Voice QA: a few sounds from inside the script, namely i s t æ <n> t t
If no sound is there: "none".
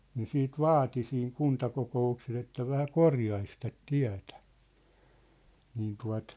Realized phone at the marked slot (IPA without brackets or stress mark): none